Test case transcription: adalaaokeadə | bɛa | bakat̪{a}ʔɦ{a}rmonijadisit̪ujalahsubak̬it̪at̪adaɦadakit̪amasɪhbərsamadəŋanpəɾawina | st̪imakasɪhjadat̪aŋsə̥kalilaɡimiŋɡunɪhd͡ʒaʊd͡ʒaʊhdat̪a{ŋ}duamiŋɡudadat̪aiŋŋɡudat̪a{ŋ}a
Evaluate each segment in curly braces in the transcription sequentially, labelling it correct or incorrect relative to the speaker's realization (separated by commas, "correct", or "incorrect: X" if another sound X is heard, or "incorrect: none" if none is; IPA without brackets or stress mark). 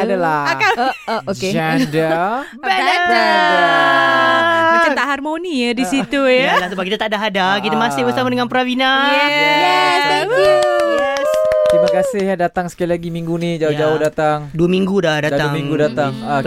correct, correct, correct, correct